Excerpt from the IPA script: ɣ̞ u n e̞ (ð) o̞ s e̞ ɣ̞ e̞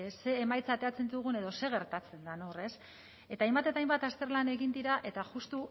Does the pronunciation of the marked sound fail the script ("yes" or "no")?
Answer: no